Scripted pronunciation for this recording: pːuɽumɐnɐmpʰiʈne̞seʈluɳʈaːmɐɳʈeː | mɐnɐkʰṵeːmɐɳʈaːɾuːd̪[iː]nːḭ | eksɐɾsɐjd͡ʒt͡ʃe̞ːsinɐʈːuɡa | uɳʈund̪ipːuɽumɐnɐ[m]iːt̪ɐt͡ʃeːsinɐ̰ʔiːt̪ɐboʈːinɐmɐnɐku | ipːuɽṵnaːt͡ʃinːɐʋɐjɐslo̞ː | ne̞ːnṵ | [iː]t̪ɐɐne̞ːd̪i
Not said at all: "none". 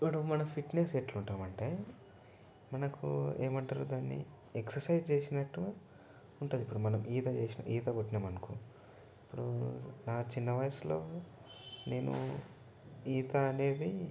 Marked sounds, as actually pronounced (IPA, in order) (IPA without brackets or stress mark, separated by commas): aː, m, iː